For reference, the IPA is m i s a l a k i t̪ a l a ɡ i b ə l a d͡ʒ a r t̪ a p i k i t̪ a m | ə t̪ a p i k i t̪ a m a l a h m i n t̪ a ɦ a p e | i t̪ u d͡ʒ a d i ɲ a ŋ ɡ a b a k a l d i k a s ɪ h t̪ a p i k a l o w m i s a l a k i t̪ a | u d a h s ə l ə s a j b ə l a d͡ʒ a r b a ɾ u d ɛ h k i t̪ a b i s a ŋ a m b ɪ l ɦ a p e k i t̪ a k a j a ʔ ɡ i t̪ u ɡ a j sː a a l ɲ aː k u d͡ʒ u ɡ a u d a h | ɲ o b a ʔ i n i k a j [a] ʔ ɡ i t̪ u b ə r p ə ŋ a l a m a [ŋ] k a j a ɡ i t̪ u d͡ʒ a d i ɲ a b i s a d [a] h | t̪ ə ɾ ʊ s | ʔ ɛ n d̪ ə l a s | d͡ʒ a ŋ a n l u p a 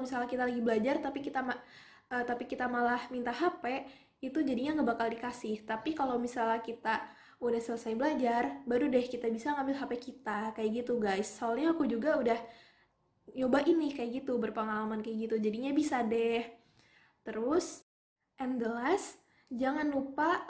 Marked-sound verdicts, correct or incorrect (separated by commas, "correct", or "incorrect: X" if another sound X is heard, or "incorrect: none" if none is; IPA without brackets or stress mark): correct, incorrect: n, incorrect: ɛ